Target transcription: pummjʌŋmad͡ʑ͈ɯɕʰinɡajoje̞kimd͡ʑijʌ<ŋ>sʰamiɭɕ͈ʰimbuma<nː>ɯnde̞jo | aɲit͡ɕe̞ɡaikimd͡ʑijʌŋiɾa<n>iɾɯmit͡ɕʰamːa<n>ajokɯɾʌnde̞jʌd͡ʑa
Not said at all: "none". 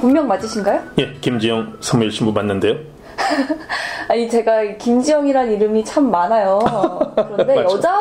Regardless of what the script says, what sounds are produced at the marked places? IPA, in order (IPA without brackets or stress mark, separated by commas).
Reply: ŋ, nː, n, n